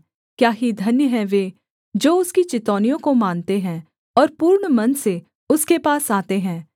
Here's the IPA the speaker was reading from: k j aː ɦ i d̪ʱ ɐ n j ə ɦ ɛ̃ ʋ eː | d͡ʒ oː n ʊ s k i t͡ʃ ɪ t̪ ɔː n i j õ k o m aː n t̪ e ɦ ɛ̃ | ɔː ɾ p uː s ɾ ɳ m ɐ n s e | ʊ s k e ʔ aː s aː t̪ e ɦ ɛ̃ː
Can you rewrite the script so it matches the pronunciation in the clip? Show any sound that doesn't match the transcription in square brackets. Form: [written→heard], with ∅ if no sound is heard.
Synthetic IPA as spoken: k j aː ɦ i d̪ʱ ɐ n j ə ɦ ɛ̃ ʋ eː | d͡ʒ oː [n→∅] ʊ s k i t͡ʃ ɪ t̪ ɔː n i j õ k o m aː n t̪ e ɦ ɛ̃ | ɔː ɾ p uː [s→∅] ɾ ɳ m ɐ n s e | ʊ s k e [ʔ→p] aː s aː t̪ e ɦ ɛ̃ː